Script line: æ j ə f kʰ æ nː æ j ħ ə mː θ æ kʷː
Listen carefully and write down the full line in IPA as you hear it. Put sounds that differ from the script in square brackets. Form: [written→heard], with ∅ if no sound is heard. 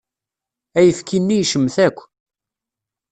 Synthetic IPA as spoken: æ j ə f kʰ [æ→i] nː [æ→i] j [ħ→ʃ] ə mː θ æ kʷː